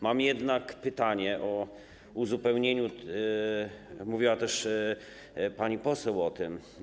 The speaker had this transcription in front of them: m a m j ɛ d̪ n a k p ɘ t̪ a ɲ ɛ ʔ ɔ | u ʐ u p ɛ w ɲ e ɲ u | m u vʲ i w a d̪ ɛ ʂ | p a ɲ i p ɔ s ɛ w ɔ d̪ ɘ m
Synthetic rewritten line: m a m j ɛ d̪ n a k p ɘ t̪ a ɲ ɛ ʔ ɔ | u z u p ɛ w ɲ e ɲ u | m u vʲ i w a t̪ ɛ ʂ | p a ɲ i p ɔ s ɛ w ɔ t̪ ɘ m